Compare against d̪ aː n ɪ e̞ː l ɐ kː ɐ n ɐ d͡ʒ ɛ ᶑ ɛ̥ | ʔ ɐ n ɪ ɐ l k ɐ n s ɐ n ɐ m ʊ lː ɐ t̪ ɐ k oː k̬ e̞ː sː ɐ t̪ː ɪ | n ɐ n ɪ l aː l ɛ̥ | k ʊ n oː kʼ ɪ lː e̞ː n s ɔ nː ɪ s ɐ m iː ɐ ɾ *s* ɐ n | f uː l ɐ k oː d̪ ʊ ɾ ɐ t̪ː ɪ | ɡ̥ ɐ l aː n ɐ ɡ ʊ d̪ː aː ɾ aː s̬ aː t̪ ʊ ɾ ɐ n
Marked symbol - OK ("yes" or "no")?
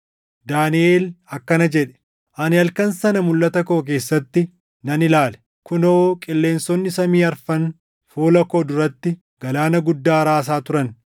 no